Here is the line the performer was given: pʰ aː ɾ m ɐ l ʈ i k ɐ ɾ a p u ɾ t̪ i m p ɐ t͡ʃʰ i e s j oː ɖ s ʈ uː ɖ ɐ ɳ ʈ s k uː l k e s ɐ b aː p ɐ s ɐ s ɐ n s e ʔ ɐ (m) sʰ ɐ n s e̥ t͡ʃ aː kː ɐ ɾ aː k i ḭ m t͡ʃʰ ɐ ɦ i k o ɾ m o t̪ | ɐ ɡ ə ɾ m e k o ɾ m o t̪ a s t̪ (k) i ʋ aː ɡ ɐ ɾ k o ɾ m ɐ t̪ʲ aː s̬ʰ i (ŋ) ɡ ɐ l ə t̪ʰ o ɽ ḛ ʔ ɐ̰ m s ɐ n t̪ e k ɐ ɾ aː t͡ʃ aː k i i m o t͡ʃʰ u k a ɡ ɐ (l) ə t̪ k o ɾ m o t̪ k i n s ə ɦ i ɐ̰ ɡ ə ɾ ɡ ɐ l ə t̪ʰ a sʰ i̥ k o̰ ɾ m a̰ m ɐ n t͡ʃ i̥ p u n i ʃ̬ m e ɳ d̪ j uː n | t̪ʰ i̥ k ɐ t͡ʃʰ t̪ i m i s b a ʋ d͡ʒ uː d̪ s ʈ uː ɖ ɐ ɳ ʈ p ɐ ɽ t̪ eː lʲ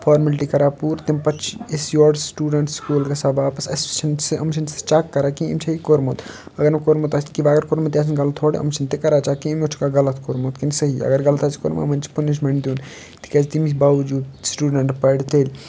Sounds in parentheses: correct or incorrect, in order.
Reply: correct, correct, incorrect, correct

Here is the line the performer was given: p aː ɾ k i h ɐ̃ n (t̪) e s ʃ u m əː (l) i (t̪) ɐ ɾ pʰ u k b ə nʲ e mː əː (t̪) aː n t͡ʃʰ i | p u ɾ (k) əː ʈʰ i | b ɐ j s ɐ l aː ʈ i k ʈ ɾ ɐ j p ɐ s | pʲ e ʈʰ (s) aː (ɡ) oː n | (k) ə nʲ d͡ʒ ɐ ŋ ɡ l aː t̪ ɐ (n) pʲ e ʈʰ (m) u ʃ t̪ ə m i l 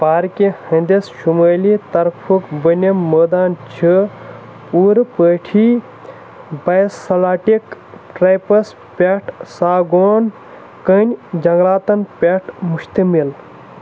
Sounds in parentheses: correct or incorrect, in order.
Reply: incorrect, correct, correct, incorrect, incorrect, correct, correct, correct, correct, correct

